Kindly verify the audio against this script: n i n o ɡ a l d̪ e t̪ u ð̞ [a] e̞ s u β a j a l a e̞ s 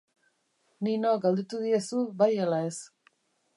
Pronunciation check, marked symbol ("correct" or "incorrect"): incorrect